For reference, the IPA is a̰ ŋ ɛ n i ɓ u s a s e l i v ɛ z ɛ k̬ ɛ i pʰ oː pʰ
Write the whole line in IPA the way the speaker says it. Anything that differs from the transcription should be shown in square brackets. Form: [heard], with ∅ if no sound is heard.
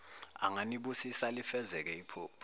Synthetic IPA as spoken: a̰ ŋ [a] n i ɓ u s [i] s [a] l i [f] ɛ z ɛ k̬ ɛ i pʰ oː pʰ